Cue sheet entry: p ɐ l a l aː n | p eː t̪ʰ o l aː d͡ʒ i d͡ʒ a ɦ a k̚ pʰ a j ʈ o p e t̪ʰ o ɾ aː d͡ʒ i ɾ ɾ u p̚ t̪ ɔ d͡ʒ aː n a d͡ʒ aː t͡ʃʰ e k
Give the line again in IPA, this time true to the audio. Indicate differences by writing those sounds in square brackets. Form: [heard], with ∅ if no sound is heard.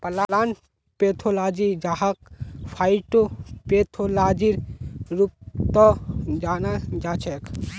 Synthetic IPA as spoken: p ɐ l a l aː n | p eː t̪ʰ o l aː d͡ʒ i d͡ʒ a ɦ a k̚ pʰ a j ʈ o p e t̪ʰ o [l] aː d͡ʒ i ɾ ɾ u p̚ t̪ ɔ d͡ʒ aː n a d͡ʒ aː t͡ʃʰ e k